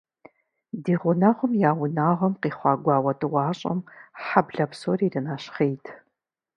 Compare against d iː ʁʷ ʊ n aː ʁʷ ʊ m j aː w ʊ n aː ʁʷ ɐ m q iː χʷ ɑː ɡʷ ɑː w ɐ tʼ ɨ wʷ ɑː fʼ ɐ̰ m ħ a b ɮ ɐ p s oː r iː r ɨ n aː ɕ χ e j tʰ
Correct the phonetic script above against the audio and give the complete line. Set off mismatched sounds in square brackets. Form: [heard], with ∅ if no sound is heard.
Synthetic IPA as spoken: d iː ʁʷ ʊ n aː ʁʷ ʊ m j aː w ʊ n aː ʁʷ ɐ m q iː χʷ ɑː ɡʷ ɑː w ɐ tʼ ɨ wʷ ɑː [ɕʼ] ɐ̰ m ħ a b ɮ ɐ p s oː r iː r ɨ n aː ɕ χ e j tʰ